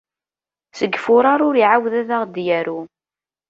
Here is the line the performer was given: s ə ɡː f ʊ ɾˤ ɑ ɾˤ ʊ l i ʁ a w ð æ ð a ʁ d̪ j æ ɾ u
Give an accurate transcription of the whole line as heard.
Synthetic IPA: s ə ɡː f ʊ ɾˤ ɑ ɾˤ ʊ ɾ i ʕ a w ð æ ð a ʁ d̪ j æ ɾ u